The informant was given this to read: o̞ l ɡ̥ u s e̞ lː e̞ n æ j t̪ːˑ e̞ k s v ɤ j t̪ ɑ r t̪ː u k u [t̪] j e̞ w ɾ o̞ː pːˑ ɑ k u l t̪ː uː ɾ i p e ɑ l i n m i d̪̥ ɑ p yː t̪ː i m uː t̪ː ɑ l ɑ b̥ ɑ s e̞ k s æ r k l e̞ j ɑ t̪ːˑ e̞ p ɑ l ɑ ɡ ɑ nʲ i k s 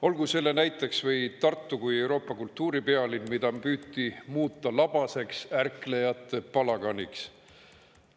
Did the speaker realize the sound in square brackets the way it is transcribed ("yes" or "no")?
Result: no